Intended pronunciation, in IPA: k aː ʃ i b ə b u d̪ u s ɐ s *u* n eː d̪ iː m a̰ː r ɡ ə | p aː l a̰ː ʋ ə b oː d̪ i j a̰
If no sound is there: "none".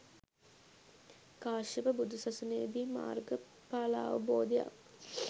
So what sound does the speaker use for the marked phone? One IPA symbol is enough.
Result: u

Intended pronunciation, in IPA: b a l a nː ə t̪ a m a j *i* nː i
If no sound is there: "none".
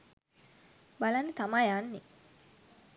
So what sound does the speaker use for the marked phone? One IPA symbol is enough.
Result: a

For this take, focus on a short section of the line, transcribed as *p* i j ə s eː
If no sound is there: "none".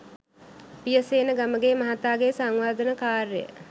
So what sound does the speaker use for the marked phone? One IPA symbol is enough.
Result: p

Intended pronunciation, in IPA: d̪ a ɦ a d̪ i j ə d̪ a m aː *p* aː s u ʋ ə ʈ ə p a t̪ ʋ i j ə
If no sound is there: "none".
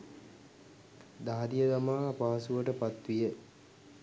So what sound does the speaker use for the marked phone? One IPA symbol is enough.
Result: p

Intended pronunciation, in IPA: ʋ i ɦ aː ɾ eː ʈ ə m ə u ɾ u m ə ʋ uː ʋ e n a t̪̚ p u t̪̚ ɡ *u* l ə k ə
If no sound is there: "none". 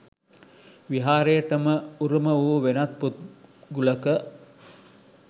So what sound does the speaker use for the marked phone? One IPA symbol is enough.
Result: u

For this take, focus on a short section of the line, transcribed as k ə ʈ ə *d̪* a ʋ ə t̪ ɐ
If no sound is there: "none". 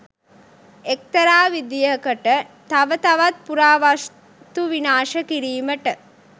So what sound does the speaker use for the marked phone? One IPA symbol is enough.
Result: t̪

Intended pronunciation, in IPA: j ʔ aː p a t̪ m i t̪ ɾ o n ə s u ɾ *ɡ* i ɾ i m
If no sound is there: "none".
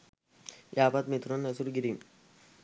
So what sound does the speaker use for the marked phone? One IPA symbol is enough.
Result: ɡ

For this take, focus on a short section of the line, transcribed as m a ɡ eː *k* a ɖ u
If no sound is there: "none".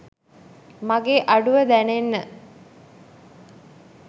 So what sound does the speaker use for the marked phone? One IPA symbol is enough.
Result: ʔ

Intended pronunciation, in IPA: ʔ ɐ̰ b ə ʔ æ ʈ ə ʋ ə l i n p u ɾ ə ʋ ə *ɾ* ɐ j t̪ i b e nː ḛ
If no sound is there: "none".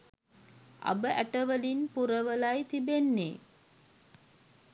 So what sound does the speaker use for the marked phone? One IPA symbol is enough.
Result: l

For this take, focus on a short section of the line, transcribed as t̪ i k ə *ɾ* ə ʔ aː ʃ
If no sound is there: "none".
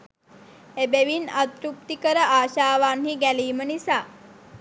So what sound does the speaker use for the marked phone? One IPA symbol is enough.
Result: ɾ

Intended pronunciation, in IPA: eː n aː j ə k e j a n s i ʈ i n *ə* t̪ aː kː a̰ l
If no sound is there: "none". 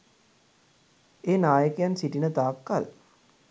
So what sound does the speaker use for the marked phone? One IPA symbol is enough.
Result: ə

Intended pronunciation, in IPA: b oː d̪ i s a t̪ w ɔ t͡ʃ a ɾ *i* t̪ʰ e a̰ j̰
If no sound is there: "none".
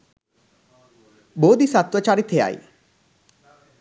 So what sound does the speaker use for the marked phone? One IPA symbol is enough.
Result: i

